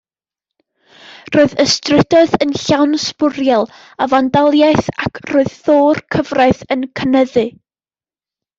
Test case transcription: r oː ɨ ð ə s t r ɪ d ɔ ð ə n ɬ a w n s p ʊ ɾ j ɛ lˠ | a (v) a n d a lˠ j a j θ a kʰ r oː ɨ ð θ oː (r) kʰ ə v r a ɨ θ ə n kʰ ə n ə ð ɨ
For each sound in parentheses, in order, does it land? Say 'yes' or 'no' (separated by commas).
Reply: yes, yes